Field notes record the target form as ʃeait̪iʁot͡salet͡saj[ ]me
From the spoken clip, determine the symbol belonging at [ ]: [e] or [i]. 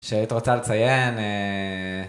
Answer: e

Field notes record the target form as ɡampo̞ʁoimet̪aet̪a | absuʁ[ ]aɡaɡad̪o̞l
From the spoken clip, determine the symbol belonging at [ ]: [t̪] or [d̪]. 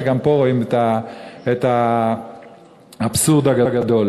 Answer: d̪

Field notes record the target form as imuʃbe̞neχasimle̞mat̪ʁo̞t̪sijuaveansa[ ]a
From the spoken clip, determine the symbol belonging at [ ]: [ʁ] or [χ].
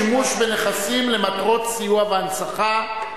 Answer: χ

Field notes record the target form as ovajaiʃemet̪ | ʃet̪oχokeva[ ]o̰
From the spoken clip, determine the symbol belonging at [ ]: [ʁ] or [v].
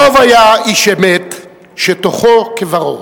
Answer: ʁ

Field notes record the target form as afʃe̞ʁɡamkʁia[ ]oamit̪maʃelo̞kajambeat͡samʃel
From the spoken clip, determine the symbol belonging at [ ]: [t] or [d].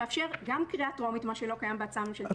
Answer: t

